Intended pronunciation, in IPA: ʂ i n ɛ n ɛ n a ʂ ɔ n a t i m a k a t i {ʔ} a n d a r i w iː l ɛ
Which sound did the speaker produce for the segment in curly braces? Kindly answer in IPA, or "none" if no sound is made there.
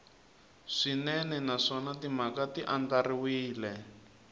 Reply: ʔ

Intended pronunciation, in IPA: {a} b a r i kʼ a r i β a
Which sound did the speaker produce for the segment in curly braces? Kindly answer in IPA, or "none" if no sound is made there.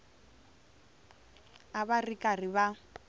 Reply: a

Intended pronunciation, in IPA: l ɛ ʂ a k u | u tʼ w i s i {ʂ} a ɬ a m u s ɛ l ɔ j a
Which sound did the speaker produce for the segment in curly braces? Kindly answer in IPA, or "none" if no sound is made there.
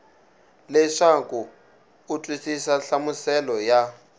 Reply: s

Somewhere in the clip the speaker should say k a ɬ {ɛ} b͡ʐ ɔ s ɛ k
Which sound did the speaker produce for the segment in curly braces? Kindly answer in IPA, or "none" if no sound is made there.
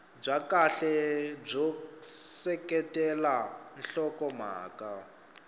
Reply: ɛ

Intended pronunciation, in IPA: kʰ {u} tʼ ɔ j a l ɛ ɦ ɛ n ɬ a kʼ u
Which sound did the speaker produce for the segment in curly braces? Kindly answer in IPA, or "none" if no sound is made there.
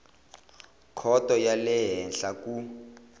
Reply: ɔ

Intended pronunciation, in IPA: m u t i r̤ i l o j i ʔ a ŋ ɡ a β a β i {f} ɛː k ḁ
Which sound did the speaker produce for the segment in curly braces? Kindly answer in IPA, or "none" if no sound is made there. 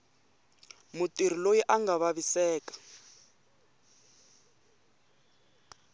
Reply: s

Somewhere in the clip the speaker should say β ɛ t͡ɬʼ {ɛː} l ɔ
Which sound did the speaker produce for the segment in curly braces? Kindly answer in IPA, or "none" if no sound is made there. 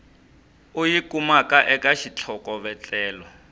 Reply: ɛː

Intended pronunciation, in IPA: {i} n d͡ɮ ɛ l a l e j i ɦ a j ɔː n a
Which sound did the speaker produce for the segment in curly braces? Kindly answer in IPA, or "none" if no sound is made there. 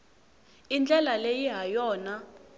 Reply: i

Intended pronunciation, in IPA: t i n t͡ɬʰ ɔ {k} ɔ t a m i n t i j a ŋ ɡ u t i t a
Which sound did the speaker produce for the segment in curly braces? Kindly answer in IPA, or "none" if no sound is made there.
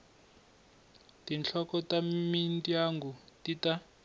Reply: k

